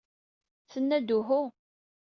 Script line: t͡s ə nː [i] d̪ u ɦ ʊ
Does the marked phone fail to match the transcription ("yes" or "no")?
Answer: yes